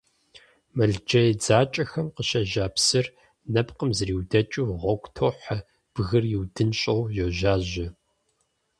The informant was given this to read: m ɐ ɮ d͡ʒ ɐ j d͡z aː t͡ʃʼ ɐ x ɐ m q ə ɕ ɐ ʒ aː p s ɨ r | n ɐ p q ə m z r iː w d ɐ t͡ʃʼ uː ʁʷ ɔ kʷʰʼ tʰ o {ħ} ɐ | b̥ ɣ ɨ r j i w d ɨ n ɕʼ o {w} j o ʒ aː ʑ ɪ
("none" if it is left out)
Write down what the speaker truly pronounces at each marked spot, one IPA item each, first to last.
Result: ħ, w

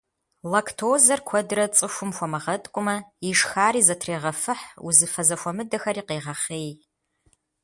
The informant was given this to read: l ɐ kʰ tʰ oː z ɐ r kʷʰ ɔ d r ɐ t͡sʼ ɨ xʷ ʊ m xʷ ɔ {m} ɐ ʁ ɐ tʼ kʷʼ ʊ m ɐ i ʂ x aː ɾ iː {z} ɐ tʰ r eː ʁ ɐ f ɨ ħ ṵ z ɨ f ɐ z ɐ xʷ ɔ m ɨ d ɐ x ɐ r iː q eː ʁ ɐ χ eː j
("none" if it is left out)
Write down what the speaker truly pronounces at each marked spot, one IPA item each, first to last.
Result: m, z

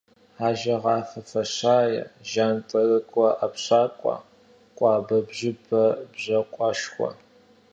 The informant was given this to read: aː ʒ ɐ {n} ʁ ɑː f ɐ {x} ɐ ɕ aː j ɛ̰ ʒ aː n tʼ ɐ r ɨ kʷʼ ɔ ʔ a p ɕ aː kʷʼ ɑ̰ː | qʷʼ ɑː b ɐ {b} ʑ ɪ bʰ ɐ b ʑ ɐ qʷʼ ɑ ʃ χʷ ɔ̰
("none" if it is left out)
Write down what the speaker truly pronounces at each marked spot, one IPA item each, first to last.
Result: none, f, b

